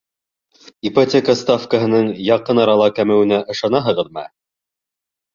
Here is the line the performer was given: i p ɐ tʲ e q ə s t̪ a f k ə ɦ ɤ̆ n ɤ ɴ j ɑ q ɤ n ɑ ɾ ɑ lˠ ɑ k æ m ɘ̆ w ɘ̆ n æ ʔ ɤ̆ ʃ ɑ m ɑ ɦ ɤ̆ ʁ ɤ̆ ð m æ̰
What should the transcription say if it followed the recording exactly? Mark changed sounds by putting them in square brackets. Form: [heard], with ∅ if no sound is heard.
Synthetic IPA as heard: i p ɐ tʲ e [k] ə s t̪ a f k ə ɦ ɤ̆ n ɤ ɴ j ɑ q ɤ n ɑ ɾ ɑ lˠ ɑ k æ m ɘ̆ w ɘ̆ n æ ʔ ɤ̆ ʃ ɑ [n] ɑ ɦ ɤ̆ ʁ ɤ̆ ð m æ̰